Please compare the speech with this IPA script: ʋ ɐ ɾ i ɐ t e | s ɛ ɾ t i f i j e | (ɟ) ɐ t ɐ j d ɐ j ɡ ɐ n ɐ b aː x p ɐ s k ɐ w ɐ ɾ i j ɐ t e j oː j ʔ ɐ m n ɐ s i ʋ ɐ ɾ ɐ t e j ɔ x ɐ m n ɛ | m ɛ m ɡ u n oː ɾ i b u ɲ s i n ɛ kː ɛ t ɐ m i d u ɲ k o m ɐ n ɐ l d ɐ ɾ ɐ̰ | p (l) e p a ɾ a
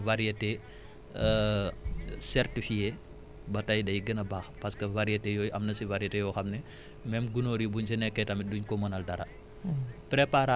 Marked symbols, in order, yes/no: no, no

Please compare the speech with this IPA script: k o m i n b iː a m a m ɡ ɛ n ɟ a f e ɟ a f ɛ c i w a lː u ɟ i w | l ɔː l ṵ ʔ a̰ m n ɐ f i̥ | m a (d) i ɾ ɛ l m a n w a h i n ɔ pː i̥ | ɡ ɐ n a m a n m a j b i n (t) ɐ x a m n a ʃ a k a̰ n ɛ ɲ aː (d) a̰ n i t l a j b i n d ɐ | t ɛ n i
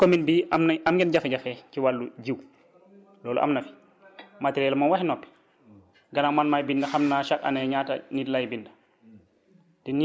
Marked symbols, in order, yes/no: no, no, no

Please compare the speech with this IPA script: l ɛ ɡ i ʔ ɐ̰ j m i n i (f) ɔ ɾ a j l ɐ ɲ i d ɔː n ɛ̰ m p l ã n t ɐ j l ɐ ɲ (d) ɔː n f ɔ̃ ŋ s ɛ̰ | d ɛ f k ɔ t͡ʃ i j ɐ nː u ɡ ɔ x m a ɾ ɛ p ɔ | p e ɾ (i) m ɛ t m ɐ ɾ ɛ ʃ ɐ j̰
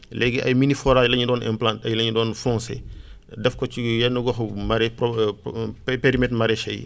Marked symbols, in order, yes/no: yes, yes, yes

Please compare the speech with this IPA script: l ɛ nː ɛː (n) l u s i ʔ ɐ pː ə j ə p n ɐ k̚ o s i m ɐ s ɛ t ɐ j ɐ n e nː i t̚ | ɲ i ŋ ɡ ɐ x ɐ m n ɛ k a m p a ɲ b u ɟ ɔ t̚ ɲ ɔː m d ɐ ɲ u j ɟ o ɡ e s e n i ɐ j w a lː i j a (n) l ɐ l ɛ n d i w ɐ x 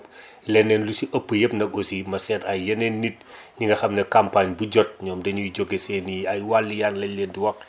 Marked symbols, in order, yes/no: yes, yes

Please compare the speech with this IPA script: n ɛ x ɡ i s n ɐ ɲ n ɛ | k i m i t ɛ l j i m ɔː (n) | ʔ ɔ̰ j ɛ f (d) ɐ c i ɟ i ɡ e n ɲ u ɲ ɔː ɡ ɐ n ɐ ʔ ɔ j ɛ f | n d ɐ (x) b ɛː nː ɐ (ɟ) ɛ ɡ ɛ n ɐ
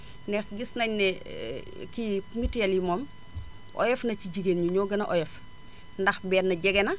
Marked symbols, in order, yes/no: no, no, yes, yes

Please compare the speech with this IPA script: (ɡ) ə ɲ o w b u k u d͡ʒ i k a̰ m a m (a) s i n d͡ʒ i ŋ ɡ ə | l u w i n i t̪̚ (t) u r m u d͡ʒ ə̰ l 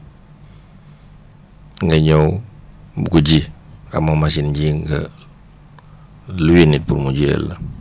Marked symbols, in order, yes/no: no, yes, no

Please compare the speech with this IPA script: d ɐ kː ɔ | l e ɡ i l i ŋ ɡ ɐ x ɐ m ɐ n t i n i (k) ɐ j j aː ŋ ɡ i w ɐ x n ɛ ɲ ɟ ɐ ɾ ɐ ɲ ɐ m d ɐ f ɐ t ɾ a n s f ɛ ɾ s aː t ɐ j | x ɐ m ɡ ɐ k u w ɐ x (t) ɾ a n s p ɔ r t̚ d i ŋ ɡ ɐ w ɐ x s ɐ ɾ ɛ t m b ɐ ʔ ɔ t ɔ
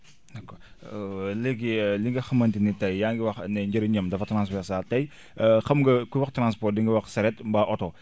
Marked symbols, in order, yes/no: no, yes

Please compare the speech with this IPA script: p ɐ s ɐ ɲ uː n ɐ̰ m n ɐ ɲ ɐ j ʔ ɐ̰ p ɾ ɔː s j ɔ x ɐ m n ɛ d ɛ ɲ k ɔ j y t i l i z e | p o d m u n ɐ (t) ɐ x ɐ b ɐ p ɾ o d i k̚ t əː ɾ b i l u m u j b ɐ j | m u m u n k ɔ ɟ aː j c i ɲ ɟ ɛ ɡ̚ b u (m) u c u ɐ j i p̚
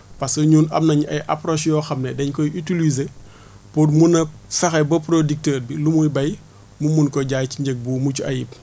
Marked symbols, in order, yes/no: no, yes

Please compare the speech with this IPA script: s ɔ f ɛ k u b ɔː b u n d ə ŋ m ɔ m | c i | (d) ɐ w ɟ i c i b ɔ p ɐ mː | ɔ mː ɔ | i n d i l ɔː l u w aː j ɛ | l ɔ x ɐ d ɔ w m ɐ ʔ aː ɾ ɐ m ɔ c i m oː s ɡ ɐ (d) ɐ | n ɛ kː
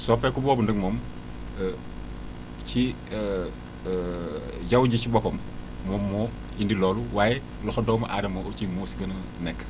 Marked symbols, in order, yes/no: no, no

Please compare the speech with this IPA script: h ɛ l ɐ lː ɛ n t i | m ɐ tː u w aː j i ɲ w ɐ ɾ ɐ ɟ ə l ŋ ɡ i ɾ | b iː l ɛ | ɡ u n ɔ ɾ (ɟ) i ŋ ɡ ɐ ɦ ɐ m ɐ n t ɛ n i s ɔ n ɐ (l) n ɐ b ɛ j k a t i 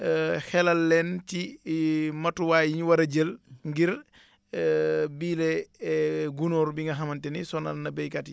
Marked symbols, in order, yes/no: no, yes

